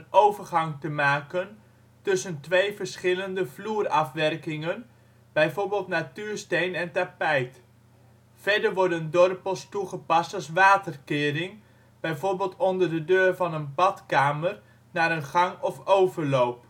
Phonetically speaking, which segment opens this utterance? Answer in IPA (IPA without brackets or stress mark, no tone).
n